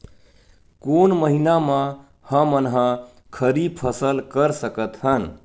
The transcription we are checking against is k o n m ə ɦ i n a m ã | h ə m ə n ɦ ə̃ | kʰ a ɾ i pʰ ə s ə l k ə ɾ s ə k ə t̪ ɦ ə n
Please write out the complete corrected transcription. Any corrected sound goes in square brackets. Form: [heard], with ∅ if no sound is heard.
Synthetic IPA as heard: k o n m ə ɦ i n a m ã | h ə m ə n ɦ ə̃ | kʰ [ə] ɾ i pʰ ə s ə l k ə ɾ s ə k ə t̪ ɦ ə n